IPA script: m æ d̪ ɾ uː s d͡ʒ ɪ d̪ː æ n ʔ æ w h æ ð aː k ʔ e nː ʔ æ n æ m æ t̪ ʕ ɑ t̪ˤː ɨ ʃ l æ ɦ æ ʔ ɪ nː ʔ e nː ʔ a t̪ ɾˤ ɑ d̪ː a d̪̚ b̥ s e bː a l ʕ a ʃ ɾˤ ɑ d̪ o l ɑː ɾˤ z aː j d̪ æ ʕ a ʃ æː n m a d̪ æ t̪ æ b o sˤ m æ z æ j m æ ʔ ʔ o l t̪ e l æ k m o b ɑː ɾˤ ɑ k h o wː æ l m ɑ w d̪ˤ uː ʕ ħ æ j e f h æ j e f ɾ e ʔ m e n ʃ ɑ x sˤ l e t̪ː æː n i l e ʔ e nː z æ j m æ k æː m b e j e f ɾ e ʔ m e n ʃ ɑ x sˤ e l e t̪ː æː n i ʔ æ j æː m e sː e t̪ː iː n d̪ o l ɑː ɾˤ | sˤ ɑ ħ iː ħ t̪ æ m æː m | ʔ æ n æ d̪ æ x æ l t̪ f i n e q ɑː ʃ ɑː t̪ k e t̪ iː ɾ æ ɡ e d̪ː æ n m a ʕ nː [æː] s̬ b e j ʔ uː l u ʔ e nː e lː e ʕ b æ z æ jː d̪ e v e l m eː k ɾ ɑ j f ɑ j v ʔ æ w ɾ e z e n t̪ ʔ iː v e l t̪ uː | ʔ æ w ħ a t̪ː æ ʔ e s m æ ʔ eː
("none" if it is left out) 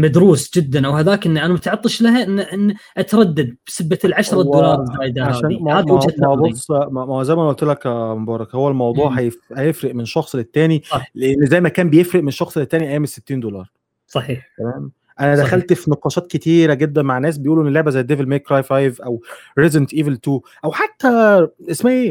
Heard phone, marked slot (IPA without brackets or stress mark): æː